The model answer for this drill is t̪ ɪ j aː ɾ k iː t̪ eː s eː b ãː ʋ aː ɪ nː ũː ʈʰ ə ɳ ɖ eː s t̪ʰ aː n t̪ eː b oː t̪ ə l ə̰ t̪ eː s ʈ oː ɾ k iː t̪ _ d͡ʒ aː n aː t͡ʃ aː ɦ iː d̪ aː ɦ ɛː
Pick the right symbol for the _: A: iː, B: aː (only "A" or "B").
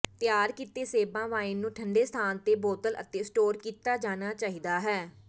B